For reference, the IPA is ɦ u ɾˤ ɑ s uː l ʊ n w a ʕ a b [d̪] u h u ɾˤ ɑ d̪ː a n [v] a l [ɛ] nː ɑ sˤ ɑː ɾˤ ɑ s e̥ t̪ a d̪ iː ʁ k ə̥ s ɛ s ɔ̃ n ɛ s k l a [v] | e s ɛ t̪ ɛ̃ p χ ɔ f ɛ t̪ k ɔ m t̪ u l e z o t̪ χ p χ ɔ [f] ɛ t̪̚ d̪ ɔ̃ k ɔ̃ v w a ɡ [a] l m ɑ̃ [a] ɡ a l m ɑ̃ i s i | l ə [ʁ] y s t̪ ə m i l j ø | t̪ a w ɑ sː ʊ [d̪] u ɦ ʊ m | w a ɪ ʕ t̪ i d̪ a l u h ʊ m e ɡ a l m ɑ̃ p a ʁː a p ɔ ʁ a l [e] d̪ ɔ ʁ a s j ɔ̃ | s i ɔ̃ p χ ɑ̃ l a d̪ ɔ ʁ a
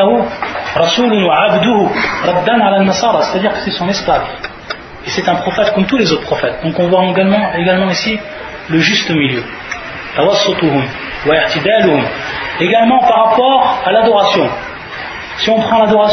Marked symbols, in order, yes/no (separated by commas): yes, no, no, yes, yes, yes, no, no, no, no